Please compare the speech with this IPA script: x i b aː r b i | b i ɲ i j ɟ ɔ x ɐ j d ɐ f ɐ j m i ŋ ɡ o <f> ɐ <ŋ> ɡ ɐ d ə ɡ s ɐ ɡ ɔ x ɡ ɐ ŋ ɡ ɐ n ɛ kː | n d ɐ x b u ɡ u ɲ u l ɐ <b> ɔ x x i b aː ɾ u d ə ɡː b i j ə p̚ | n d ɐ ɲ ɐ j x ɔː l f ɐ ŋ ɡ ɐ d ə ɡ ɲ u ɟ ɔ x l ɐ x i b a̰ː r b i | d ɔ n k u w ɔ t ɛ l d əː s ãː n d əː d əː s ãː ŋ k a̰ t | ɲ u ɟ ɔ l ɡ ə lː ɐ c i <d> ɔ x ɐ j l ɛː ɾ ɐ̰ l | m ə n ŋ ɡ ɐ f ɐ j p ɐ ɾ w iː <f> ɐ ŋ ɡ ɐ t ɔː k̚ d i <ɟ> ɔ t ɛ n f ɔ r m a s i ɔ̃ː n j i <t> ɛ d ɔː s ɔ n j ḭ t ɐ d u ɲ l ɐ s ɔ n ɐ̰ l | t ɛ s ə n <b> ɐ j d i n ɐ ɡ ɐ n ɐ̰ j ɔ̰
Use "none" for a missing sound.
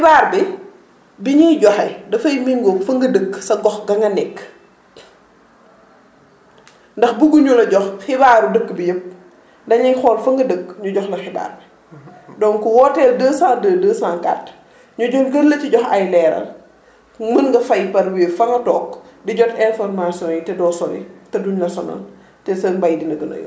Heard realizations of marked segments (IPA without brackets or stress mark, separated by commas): f, ŋ, ɟ, ɟ, f, ɟ, t, b